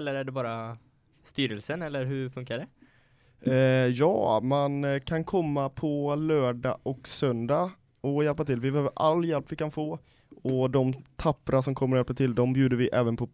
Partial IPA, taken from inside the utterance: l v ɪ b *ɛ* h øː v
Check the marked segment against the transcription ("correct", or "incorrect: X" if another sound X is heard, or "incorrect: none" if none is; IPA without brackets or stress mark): correct